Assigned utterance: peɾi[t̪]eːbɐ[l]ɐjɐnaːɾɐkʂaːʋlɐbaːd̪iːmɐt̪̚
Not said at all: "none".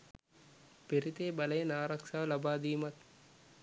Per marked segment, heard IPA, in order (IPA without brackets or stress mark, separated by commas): t̪, l